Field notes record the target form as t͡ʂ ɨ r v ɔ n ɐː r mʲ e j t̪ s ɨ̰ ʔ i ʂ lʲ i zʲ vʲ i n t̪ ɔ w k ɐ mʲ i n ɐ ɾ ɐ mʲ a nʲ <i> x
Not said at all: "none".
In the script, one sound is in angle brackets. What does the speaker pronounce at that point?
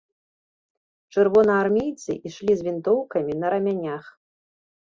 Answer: a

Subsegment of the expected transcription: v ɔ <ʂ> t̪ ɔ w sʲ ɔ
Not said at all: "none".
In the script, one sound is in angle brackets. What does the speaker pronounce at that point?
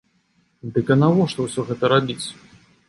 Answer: ʂ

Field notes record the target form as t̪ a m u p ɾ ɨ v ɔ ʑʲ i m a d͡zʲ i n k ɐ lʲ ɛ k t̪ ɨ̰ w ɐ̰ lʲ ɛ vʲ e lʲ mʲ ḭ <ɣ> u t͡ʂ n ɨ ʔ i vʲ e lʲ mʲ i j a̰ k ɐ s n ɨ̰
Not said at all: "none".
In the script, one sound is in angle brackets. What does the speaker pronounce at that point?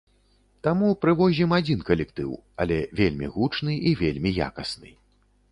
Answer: ɣ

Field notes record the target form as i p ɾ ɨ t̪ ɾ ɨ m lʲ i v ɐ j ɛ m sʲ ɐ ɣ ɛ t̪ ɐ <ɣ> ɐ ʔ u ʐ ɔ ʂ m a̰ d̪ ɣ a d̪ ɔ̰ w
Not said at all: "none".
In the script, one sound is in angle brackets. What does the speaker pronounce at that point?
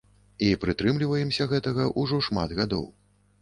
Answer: ɣ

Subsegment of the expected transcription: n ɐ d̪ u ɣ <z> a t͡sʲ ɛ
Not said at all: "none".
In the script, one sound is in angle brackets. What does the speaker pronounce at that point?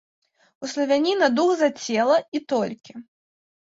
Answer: z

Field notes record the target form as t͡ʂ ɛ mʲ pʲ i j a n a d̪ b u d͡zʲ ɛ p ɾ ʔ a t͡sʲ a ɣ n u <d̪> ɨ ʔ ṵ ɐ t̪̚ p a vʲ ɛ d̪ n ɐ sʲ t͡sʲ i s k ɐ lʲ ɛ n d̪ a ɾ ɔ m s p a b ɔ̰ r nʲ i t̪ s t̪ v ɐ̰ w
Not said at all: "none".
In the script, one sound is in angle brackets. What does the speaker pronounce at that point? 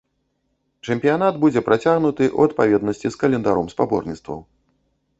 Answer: t̪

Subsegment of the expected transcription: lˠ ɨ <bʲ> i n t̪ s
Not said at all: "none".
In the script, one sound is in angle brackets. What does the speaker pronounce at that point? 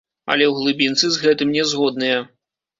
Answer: bʲ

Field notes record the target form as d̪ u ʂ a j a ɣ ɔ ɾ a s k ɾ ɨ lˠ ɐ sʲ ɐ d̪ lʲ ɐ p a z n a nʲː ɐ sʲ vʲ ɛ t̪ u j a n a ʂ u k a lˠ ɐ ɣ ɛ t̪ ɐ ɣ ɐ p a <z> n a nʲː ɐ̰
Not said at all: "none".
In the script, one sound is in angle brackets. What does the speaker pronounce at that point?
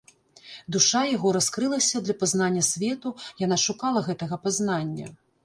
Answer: z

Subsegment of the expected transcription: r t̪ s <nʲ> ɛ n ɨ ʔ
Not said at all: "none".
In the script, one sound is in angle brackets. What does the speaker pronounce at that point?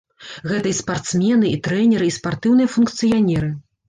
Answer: mʲ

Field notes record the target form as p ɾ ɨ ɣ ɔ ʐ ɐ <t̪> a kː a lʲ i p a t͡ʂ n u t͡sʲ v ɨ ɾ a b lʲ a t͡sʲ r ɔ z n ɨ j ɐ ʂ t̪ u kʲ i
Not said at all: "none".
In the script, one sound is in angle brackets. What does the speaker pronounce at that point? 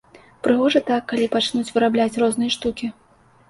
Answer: t̪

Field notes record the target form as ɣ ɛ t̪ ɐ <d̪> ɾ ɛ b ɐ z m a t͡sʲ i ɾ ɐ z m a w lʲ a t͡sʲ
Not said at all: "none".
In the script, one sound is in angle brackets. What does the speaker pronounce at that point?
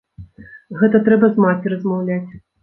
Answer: t̪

